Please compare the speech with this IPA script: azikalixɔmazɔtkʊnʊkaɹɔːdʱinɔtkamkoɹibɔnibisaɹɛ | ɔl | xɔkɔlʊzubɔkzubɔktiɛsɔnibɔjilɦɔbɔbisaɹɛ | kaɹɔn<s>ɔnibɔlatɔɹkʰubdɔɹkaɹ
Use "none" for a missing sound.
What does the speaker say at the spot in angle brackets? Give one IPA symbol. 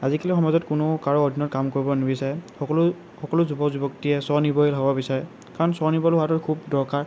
s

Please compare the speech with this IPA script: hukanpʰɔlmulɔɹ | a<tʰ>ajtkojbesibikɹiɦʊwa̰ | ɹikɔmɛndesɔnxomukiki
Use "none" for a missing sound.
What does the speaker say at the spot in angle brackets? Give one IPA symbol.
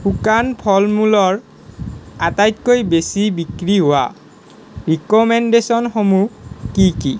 t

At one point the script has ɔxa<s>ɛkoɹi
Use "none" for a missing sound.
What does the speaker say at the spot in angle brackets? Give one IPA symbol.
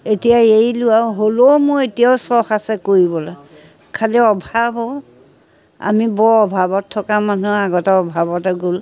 s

